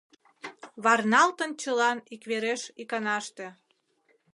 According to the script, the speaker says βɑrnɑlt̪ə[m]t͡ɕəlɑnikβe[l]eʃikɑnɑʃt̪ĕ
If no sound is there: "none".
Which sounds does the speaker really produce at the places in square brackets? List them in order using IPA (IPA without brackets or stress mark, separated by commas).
n, ɾ